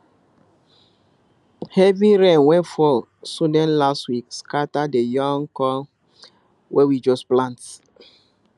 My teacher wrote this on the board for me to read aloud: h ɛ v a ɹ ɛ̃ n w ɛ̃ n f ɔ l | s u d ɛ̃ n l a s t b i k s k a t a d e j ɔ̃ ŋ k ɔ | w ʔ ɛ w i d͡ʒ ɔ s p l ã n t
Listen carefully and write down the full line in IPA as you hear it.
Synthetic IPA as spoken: h ɛ v i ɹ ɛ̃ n w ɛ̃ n f ɔ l | s u d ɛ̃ n l a s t w i k s k a t a d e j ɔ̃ ŋ k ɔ | w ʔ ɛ w i d͡ʒ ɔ s p l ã n t